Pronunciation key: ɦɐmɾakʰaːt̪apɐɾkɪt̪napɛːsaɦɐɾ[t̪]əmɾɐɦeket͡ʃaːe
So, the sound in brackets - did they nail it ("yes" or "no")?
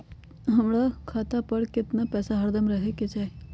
no